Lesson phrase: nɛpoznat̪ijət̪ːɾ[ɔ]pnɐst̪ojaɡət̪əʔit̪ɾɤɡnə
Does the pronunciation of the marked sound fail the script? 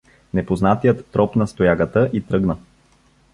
no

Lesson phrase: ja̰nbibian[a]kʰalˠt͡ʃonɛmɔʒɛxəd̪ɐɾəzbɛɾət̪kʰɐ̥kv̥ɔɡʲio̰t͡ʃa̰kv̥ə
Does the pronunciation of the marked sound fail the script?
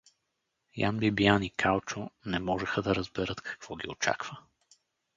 yes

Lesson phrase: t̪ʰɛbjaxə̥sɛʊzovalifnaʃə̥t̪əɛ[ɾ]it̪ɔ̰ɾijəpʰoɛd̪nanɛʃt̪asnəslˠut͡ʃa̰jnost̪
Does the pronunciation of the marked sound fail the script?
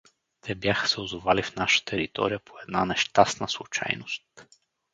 no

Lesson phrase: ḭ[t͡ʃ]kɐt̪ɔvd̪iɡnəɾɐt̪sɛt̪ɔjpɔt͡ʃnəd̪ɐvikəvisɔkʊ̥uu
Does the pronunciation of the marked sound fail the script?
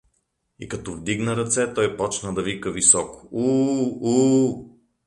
yes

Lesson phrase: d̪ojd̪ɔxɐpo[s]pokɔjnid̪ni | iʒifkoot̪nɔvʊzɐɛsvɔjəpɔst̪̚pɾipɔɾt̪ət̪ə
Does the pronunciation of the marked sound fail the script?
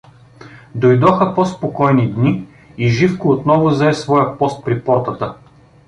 no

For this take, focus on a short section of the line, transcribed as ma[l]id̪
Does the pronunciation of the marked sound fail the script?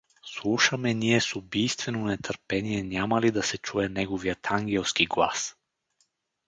no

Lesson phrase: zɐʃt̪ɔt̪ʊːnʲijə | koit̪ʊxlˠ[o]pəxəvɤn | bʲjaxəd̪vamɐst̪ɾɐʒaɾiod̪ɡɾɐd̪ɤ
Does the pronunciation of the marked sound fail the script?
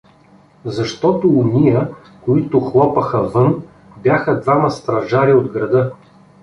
yes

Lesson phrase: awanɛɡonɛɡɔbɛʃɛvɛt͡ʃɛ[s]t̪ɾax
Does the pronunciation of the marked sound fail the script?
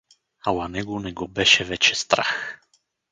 no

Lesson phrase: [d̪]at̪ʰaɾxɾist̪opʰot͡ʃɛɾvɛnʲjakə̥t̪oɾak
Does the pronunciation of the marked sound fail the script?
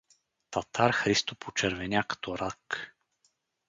yes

